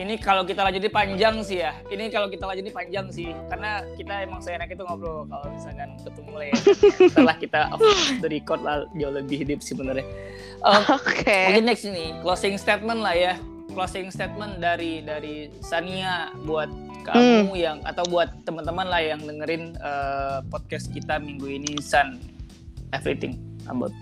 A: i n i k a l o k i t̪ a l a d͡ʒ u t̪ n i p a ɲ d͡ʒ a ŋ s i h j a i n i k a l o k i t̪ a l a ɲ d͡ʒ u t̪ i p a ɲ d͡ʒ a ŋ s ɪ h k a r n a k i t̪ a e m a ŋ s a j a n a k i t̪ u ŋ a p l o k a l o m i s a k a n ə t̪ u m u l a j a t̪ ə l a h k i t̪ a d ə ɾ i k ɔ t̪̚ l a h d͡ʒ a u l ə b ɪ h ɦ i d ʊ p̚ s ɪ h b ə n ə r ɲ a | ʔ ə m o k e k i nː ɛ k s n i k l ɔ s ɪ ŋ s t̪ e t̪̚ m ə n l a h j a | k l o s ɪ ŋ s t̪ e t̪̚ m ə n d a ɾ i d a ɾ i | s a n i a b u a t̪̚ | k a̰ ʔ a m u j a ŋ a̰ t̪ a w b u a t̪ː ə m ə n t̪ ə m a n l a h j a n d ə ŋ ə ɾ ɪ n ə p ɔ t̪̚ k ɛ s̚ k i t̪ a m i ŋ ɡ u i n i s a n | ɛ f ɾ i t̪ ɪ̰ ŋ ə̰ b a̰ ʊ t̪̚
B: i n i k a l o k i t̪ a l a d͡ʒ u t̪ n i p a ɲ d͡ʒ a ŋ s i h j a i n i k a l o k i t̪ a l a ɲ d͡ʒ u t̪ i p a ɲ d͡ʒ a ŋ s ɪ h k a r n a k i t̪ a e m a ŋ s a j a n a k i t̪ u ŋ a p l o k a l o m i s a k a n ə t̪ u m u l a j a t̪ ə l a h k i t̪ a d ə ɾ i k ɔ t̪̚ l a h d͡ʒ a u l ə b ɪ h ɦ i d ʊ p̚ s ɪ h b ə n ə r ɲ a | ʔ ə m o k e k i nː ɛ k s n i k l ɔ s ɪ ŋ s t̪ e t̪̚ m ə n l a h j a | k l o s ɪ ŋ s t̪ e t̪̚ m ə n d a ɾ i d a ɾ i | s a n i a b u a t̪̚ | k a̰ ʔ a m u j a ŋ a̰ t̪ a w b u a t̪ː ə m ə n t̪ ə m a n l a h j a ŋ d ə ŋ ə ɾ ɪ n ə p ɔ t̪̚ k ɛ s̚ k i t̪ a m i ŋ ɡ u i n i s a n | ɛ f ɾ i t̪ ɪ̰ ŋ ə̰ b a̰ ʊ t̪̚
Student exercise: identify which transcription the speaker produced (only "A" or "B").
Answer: B